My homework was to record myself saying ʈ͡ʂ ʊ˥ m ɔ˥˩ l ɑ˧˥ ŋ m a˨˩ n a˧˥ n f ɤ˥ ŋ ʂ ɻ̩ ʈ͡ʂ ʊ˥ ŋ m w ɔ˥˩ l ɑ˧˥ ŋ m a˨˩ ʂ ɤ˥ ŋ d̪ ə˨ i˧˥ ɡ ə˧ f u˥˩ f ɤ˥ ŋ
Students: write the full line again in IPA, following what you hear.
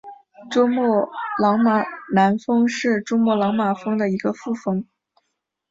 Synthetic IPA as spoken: ʈ͡ʂ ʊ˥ m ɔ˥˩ l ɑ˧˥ ŋ m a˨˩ n a˧˥ n f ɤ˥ ŋ ʂ ɻ̩ ʈ͡ʂ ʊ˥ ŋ m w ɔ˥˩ l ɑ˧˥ ŋ m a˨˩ f ɤ˥ ŋ d̪ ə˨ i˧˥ ɡ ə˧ f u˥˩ f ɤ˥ ŋ